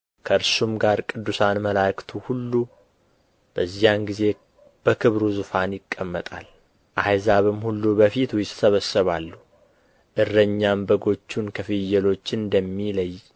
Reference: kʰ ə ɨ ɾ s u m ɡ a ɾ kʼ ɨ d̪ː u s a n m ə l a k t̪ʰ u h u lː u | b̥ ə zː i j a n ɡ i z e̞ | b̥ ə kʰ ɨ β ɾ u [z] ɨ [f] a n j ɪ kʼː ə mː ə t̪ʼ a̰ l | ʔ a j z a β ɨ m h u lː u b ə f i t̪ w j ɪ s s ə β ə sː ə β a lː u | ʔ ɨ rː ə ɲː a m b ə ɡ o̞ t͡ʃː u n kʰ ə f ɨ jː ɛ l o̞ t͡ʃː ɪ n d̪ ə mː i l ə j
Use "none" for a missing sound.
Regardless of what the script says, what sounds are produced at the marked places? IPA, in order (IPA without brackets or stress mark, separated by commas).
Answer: z, f